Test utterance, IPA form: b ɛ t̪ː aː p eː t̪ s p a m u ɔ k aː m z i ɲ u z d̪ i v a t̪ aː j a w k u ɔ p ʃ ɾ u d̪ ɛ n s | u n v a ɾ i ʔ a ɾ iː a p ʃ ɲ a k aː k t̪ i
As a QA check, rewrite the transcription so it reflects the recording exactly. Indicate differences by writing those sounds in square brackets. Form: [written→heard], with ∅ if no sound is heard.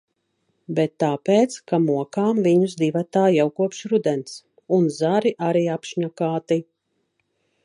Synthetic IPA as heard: b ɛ t̪ː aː p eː t̪ s [p→k] a m u ɔ k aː m [z→v] i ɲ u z d̪ i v a t̪ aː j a w k u ɔ p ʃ ɾ u d̪ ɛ n s | u n [v→z] a ɾ i ʔ a ɾ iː a p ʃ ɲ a k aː [k→∅] t̪ i

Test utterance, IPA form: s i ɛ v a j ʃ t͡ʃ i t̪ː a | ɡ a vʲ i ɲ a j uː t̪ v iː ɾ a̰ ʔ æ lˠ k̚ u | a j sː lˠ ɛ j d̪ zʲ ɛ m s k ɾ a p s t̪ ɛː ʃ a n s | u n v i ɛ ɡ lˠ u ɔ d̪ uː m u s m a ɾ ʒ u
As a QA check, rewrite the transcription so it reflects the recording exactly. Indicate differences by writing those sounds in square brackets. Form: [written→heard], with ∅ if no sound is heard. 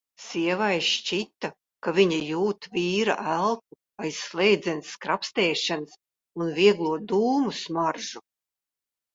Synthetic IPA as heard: s i ɛ v a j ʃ t͡ʃ i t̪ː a | [ɡ→k] a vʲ i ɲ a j uː t̪ v iː ɾ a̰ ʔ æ lˠ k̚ u | a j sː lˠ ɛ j d̪ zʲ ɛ [m→n] s k ɾ a p s t̪ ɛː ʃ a n s | u n v i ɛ ɡ lˠ u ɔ d̪ uː m u s m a ɾ ʒ u

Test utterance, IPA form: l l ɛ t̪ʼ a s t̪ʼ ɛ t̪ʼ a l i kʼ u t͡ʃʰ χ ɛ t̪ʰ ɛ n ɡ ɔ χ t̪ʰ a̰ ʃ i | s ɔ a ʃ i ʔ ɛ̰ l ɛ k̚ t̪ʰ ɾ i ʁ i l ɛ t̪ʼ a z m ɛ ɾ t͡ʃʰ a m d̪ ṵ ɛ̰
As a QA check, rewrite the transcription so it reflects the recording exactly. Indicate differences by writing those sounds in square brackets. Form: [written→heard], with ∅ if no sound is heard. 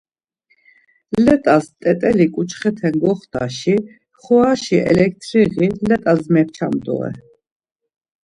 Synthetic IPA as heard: l l ɛ t̪ʼ a s t̪ʼ ɛ t̪ʼ [a→ɛ] l i kʼ u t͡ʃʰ χ ɛ t̪ʰ ɛ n ɡ ɔ χ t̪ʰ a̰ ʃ i | [s→χ] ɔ a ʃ i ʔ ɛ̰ l ɛ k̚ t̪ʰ ɾ i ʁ i l ɛ t̪ʼ a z m ɛ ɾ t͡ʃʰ a m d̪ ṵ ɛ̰

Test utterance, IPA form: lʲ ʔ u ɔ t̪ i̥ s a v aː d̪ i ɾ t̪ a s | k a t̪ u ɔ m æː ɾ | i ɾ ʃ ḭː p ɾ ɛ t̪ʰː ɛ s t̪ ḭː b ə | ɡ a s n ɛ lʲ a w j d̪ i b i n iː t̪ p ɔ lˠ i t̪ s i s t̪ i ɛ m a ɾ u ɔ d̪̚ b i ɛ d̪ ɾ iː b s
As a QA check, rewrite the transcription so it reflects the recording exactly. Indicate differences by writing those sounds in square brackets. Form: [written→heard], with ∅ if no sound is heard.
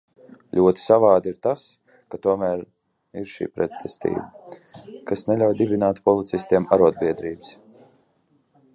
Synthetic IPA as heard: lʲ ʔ u ɔ t̪ i̥ s a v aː d̪ i ɾ t̪ a s | k a t̪ u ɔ m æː ɾ | i ɾ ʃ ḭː p ɾ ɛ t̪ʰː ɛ s t̪ ḭː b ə | [ɡ→k] a s n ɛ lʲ a w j d̪ i b i n [iː→aː] t̪ p ɔ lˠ i t̪ s i s t̪ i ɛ m a ɾ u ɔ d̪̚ b i ɛ d̪ ɾ iː b s

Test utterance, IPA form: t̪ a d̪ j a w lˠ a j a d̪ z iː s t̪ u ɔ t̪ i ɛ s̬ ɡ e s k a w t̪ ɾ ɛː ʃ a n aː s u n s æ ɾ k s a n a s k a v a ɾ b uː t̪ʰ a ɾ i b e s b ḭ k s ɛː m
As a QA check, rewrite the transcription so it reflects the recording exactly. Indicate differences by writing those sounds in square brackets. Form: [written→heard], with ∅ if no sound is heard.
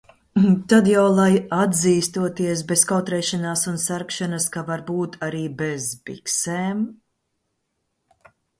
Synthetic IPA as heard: t̪ a d̪ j a w lˠ a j a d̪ z iː s t̪ u ɔ t̪ i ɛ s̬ [ɡ→b] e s k a w t̪ ɾ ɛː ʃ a n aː s u n s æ ɾ k [s→ʃ] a n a s k a v a ɾ b uː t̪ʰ a ɾ [i→iː] b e [s→z] b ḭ k s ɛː m

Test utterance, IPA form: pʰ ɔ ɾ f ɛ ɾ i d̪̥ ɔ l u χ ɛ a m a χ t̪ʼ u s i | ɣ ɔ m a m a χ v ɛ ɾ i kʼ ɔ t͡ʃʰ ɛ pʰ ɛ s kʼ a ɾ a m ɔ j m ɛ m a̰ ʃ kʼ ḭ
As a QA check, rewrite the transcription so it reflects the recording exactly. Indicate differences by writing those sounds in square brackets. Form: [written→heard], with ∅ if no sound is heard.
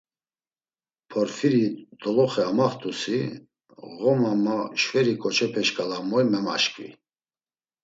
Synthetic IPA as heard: pʰ ɔ ɾ f [ɛ→i] ɾ i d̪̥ ɔ l [u→ɔ] χ ɛ a m a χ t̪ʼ u s i | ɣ ɔ m a m a [χ→ʃ] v ɛ ɾ i kʼ ɔ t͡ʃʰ ɛ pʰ ɛ [s→ʃ] kʼ a [ɾ→l] a m ɔ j m ɛ m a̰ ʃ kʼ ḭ

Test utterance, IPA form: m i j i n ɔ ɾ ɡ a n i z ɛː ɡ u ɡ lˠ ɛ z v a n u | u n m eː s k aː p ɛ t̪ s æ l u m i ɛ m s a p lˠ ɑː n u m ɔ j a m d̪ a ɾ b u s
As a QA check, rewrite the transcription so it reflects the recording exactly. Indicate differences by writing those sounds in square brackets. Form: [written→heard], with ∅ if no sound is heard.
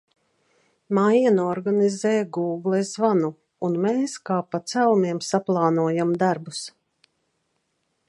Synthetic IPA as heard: m [i→a] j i n ɔ ɾ ɡ a n i z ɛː ɡ [u→uː] ɡ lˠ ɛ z v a n u | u n m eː s k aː p [ɛ→a] t̪ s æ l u m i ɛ m s a p lˠ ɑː n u [m→∅] ɔ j a m d̪ a ɾ b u s

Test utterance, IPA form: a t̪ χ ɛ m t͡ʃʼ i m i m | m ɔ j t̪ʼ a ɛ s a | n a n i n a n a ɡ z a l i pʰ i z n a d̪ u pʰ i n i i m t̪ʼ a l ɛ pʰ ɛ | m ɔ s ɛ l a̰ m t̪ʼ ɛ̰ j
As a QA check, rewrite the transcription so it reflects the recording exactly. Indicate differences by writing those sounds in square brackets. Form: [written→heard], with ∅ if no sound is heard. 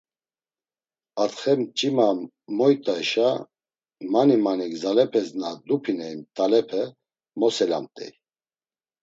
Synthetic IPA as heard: a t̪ χ ɛ m t͡ʃʼ i m [i→a] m | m ɔ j t̪ʼ a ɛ [s→ʃ] a | [n→m] a n i [n→m] a n [a→i] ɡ z a l [i→ɛ] pʰ [i→ɛ] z n a d̪ u pʰ i n [i→ɛ] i m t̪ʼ a l ɛ pʰ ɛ | m ɔ s ɛ l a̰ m t̪ʼ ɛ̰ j

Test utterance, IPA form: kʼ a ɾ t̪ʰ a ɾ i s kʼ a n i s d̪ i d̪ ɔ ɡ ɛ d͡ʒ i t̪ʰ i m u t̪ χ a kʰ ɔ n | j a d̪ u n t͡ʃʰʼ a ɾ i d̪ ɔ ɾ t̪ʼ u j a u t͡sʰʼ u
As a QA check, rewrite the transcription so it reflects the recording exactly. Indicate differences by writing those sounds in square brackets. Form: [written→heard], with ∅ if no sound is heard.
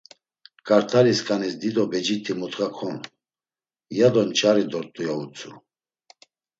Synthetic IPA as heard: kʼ a ɾ t̪ʰ a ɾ i s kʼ a n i s d̪ i d̪ ɔ [ɡ→b] ɛ d͡ʒ i t̪ʰ i m u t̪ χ a kʰ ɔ n | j a d̪ [u→ɔ] n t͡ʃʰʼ a ɾ i d̪ ɔ ɾ t̪ʼ u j a u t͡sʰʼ u

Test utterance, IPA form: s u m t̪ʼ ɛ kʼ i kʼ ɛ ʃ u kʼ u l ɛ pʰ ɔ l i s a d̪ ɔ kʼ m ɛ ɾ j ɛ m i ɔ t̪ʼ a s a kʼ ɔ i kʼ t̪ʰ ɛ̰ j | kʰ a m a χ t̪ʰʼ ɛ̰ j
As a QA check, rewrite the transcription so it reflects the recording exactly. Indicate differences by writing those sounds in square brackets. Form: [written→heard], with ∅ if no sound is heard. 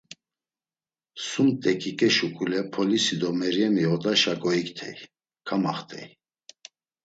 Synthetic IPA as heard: s u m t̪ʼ ɛ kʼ i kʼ ɛ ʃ u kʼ u l ɛ pʰ ɔ l i s [a→i] d̪ ɔ [kʼ→∅] m ɛ ɾ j ɛ m i ɔ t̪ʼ a [s→ʃ] a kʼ ɔ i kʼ t̪ʰ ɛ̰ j | kʰ a m a χ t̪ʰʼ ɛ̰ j

